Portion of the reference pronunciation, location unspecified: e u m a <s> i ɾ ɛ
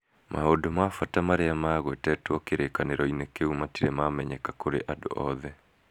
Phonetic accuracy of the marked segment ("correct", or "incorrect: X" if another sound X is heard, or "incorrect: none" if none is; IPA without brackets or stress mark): incorrect: t